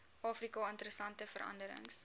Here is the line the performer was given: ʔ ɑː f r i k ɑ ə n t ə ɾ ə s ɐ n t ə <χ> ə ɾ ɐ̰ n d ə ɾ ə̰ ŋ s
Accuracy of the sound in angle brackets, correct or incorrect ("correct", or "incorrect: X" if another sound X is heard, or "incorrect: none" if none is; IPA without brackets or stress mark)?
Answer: incorrect: f